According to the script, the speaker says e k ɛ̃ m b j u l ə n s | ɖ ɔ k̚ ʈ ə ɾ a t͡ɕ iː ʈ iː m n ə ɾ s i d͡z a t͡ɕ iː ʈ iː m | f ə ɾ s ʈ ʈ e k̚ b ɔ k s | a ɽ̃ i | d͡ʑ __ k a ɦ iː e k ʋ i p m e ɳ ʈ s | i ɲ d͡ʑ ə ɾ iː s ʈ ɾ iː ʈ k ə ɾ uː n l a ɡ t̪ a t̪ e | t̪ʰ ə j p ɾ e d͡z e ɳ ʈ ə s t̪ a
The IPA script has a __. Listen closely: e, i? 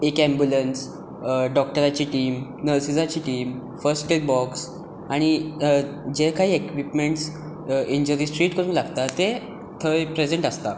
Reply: e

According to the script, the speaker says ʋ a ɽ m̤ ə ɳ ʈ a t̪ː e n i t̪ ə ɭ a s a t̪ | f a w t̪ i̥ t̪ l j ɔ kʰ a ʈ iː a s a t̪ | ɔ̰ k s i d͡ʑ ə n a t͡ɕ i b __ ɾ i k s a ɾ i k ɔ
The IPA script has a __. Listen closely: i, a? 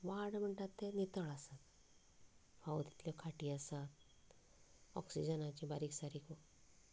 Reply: a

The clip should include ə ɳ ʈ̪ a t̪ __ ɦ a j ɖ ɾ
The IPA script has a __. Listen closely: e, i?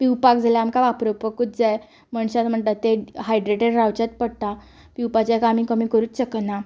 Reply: e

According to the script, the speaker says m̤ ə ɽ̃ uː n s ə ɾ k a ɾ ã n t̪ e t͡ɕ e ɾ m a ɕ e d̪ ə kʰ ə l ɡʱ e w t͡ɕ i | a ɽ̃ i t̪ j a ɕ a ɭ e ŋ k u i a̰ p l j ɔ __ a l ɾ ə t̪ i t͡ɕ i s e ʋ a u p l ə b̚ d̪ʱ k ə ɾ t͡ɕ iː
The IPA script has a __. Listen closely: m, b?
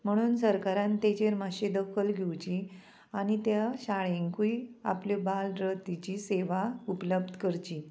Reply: b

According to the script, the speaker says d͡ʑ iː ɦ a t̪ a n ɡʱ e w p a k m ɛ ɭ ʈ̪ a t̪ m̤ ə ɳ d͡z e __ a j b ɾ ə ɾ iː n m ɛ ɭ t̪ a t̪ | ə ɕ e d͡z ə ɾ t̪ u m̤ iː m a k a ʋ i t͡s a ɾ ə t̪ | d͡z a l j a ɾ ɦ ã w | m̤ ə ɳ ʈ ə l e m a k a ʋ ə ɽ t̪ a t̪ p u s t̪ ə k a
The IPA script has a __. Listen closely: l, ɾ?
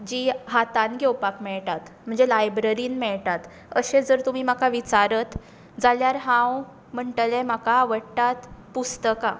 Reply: l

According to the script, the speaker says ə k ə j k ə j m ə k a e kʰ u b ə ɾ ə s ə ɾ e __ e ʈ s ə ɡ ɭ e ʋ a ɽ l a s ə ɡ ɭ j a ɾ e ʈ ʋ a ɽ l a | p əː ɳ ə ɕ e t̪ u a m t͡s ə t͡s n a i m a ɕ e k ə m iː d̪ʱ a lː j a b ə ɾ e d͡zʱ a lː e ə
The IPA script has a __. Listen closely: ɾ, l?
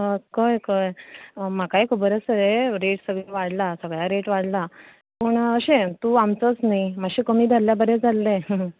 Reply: ɾ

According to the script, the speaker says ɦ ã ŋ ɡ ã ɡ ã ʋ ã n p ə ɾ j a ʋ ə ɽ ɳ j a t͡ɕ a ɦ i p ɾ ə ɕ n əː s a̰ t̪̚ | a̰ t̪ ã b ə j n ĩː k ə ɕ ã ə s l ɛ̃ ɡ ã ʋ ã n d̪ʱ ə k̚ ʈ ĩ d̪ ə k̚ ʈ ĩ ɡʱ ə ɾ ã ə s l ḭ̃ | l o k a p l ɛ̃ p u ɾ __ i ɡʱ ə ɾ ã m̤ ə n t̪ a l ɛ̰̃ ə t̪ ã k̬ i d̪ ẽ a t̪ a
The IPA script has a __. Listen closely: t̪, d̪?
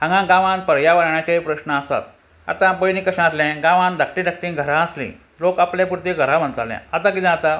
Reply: t̪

